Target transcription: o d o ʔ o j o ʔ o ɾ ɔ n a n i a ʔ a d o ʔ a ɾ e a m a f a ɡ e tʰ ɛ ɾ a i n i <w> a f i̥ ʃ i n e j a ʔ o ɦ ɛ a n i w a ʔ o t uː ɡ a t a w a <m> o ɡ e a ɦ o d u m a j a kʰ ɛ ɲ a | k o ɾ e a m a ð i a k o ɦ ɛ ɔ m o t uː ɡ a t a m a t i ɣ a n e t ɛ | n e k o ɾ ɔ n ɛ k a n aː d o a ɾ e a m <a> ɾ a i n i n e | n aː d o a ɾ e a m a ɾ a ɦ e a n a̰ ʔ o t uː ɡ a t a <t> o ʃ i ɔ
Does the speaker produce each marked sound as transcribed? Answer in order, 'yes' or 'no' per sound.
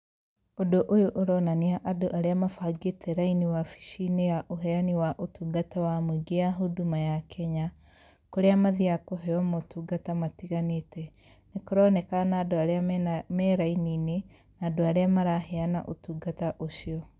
yes, yes, no, no

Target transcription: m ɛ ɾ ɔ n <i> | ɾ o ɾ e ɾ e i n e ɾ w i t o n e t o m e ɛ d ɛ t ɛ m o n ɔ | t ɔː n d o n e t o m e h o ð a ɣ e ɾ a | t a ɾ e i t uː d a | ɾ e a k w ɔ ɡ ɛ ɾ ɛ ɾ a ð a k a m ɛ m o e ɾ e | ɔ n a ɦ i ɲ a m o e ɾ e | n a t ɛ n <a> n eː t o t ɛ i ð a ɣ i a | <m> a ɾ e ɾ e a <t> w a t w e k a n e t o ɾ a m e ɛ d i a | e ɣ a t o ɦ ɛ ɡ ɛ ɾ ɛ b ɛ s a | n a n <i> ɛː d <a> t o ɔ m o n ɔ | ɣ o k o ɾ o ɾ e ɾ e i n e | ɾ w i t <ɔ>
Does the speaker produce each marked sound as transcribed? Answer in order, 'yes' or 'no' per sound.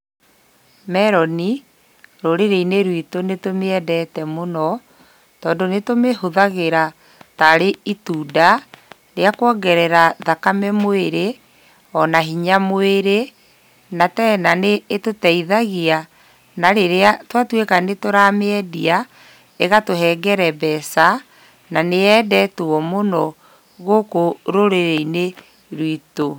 yes, yes, no, yes, no, no, no

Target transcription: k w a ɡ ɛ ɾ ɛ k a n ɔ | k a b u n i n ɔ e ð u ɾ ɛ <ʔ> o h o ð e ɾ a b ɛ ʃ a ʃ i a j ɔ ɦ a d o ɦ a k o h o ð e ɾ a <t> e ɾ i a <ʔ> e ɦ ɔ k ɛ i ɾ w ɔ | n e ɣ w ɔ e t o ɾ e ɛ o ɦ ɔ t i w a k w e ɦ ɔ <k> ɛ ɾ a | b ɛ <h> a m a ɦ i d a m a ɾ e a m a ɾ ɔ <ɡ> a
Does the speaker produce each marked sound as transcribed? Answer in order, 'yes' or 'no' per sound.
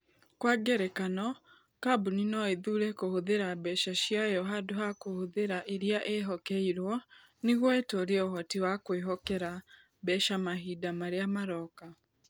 no, no, yes, yes, no, no

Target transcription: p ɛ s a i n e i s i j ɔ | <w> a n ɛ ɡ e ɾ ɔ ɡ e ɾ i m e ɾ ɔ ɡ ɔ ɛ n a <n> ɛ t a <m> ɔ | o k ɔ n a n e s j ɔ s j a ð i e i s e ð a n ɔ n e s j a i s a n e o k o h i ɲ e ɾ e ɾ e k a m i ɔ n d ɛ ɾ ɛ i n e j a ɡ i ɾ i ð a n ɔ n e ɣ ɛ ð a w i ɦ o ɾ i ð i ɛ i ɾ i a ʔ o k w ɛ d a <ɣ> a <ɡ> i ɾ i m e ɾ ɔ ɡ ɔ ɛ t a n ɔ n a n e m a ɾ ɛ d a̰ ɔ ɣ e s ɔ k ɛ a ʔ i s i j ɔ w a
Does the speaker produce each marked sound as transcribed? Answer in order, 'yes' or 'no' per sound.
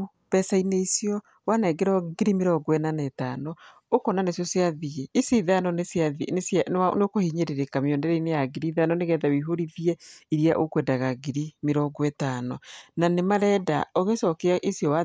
yes, yes, no, yes, yes

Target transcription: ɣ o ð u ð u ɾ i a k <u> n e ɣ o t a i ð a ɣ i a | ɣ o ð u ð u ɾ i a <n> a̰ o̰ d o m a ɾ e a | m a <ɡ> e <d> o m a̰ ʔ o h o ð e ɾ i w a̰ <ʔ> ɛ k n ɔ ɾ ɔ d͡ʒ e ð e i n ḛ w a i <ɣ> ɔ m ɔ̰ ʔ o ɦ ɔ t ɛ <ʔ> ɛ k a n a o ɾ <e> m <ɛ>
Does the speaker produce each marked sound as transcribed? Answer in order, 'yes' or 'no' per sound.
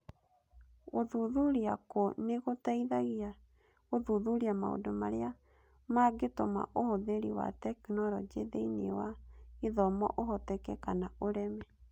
no, no, yes, no, no, no, no, no, yes

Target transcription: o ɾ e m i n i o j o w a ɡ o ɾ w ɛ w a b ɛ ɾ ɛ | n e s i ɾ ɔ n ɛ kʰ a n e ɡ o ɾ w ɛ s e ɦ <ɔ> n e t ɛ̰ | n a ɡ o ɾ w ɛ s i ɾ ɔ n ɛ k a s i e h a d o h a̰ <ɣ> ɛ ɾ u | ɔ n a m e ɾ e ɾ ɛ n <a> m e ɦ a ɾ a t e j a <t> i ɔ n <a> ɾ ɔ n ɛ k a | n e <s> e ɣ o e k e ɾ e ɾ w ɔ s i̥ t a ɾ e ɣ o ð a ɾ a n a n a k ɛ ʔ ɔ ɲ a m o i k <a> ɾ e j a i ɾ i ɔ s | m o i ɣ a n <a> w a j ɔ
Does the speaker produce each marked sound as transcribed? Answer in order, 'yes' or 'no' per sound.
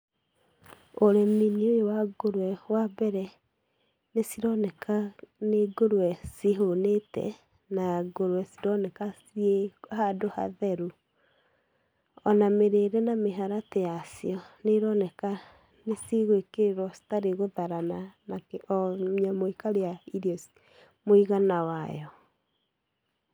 no, no, yes, no, no, yes, yes, yes

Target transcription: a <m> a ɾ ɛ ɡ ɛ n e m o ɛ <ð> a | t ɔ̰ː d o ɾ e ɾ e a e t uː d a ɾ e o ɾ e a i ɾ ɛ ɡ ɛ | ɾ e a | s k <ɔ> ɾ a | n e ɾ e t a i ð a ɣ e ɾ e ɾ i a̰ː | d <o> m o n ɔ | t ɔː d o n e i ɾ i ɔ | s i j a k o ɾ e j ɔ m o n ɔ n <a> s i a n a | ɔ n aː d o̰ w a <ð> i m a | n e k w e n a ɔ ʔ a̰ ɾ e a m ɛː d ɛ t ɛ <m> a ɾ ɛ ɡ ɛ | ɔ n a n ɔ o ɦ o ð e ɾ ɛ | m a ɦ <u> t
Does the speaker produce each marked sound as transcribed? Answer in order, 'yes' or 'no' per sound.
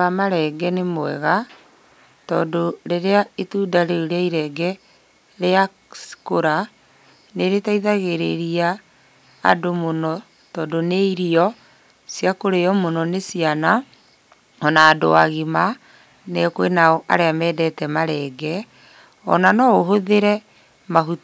yes, no, no, yes, no, no, yes, yes

